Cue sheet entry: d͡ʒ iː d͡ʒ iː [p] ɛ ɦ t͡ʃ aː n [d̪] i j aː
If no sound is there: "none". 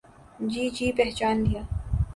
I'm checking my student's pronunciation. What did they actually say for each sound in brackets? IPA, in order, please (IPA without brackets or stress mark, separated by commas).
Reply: p, d̪